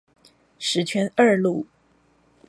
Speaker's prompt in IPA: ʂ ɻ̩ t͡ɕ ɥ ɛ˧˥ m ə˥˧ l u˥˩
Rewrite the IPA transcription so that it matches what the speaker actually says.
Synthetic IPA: ʂ ɻ̩ t͡ɕʰ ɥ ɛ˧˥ n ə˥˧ l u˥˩